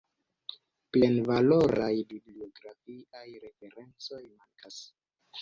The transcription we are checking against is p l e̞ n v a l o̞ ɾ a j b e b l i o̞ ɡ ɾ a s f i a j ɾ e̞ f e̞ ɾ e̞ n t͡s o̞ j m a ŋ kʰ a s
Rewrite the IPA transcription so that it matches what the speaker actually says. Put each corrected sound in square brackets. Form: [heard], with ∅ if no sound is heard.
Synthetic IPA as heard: p l e̞ n v a l o̞ ɾ a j b [i] b l i o̞ ɡ ɾ a [∅] f i a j ɾ e̞ f e̞ ɾ e̞ n t͡s o̞ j m a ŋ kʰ a s